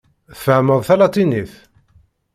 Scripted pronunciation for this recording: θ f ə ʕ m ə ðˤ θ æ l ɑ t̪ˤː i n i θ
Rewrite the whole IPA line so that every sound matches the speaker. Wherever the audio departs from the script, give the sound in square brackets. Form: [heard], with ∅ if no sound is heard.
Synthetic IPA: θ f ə ʕ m ə ðˤ θ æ l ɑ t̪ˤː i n i θ